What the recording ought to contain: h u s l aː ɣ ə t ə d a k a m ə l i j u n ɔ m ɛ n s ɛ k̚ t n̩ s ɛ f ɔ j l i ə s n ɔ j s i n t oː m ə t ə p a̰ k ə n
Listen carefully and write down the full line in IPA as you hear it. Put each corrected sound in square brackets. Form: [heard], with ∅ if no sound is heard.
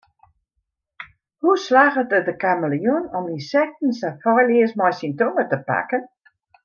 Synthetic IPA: h u s l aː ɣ ə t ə d [ə] k a m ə l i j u n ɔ m [i] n s ɛ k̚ t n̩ s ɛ f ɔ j l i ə s [m] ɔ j s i n t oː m ə t ə p a̰ k ə n